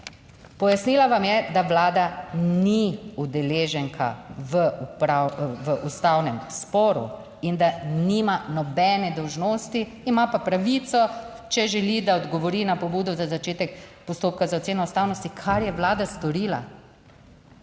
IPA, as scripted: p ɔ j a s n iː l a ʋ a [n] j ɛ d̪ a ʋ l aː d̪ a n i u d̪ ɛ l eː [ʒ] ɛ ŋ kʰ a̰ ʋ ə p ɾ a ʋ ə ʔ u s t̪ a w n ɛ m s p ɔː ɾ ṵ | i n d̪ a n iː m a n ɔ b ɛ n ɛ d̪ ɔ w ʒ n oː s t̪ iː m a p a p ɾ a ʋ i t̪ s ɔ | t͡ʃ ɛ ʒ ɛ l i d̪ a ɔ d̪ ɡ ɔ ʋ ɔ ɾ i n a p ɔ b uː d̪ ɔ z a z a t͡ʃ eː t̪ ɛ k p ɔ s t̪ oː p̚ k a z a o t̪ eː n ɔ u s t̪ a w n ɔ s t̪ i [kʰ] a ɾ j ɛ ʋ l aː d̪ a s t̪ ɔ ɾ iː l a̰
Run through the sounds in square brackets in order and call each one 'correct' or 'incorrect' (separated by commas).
incorrect, correct, correct